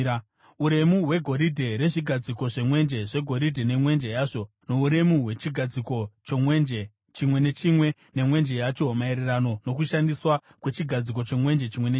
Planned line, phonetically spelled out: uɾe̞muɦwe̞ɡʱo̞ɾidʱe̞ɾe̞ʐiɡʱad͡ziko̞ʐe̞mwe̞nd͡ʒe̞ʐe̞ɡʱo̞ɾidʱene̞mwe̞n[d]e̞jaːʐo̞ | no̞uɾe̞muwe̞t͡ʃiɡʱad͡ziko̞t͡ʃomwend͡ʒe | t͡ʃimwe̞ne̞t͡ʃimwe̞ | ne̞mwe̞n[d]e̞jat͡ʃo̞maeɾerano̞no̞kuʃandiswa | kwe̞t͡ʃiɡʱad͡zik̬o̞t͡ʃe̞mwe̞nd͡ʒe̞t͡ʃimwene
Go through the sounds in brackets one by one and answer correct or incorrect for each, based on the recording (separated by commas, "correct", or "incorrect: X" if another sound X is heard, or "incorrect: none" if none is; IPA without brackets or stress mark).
incorrect: d͡ʒ, incorrect: d͡ʒ